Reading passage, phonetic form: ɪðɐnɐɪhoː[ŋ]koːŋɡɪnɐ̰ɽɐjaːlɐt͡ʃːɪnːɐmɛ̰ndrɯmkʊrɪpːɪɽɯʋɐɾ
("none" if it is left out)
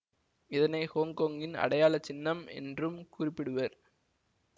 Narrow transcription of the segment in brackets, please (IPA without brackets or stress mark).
ŋ